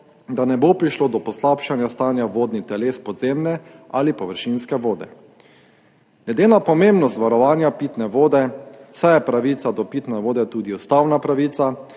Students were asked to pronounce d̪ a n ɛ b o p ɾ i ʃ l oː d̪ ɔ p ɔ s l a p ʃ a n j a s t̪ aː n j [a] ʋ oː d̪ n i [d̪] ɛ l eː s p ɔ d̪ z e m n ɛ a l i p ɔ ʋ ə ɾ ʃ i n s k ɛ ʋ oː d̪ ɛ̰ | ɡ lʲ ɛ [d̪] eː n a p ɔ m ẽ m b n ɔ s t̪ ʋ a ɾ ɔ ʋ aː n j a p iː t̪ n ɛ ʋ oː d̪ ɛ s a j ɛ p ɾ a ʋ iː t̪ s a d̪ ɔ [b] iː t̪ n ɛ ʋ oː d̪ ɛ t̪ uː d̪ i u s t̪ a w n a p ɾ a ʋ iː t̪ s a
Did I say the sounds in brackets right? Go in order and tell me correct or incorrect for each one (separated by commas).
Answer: correct, incorrect, correct, incorrect